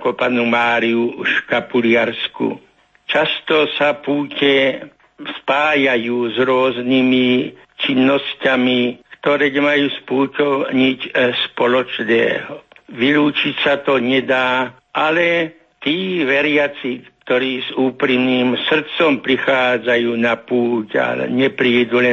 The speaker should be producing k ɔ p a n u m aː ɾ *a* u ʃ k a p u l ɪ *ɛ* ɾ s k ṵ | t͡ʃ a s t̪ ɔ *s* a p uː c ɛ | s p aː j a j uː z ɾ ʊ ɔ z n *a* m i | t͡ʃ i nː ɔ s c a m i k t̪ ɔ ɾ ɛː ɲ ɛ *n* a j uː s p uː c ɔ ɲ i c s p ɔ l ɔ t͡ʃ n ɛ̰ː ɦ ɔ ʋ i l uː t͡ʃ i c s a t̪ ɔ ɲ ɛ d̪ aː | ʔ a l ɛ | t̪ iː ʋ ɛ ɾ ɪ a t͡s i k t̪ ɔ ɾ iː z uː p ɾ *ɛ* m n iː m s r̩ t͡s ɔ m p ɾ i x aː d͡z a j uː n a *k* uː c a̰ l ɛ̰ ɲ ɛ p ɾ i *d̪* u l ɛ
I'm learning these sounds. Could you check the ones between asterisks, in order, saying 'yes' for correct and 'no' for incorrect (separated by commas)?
no, no, yes, no, no, no, no, yes